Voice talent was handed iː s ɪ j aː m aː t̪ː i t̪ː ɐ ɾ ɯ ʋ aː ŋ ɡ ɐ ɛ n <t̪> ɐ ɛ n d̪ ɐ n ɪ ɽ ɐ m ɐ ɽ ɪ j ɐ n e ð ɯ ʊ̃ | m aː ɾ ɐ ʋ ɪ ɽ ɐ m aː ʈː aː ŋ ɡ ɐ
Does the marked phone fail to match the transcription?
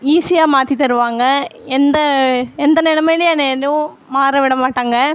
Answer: yes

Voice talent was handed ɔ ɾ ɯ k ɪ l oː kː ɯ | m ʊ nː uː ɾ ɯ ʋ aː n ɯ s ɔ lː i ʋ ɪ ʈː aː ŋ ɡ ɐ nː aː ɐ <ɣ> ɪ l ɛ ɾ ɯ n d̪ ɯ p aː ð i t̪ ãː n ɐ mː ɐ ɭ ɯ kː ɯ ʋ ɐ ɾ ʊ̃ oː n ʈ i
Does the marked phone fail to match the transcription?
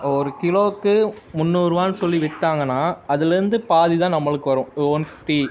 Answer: yes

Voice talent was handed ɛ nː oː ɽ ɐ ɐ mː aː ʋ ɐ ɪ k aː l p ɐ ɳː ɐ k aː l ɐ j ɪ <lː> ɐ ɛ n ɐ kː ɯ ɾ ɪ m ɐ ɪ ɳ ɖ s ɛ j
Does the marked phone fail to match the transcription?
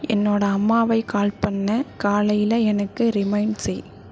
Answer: yes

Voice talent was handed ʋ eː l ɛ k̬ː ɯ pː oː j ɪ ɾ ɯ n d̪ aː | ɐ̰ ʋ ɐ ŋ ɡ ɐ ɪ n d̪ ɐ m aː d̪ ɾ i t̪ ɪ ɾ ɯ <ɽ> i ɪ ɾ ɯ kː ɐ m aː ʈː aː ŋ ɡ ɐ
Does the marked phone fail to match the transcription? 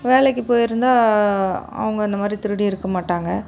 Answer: no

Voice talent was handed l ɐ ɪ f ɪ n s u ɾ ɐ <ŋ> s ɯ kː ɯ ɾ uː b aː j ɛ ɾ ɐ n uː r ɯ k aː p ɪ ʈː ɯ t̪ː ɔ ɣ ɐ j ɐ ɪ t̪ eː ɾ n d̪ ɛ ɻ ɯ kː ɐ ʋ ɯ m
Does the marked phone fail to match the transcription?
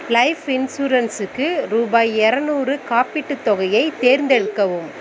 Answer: yes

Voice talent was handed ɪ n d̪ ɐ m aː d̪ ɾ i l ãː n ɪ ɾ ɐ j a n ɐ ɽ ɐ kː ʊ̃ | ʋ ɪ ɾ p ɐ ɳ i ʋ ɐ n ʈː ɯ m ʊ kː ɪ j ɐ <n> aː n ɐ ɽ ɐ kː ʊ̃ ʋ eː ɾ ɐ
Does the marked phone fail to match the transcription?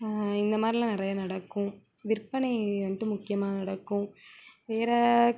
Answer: yes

